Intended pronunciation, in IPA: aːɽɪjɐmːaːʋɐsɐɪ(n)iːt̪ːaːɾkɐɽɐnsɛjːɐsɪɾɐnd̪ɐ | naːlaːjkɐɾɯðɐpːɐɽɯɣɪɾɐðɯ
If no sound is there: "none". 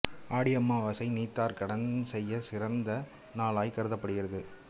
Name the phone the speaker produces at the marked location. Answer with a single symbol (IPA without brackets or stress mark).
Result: n